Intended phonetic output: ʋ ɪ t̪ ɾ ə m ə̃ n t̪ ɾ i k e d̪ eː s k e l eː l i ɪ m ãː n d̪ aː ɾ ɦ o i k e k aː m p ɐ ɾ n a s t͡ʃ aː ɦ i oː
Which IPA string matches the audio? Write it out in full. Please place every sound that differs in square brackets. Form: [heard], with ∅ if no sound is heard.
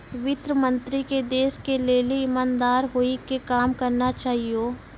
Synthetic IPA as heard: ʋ ɪ t̪ ɾ ə m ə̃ n t̪ ɾ i k e d̪ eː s k e l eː l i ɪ m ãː n d̪ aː ɾ ɦ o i k e k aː m [k] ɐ ɾ n a [∅] t͡ʃ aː ɦ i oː